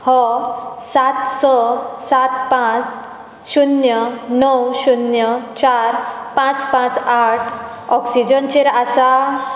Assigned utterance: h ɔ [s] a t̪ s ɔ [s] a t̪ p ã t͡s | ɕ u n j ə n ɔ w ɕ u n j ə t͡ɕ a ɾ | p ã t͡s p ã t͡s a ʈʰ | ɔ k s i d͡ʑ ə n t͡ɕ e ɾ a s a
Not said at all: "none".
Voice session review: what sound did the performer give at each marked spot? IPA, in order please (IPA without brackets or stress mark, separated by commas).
s, s